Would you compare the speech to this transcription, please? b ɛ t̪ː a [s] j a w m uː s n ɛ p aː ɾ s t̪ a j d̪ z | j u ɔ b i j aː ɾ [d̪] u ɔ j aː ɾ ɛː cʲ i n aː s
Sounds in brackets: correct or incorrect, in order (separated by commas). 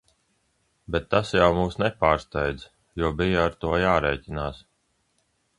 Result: correct, incorrect